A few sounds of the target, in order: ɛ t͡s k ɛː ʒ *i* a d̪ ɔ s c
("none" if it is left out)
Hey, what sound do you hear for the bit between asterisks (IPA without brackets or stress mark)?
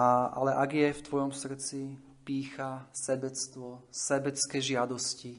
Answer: ɪ